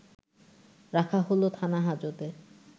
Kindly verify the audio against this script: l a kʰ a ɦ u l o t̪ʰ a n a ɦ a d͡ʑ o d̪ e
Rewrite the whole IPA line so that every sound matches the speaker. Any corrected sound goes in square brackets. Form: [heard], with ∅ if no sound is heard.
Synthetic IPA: [ɾ] a kʰ a ɦ [o] l o t̪ʰ a n a ɦ a d͡ʑ o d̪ e

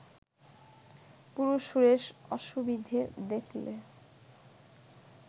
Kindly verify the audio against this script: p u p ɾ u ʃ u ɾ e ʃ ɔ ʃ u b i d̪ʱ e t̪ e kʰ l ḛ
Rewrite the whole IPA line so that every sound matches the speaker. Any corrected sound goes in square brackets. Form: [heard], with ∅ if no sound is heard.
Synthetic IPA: p u [∅] ɾ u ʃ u ɾ e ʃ ɔ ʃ u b i d̪ʱ e [d̪] e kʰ l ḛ

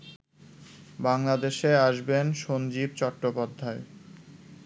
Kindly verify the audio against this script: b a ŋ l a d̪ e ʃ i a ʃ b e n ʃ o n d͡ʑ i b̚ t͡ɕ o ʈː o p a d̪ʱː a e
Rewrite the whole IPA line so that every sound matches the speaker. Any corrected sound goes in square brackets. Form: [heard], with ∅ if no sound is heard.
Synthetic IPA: b a ŋ l a d̪ e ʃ [e] a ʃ b e n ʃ o n d͡ʑ i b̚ t͡ɕ [ɔ] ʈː o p a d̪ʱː a e

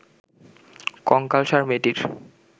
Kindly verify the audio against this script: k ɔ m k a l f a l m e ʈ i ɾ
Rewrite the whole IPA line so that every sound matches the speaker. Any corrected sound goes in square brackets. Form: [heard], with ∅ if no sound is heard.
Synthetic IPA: k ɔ [ŋ] k a l [ʃ] a [ɾ] m e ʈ i ɾ

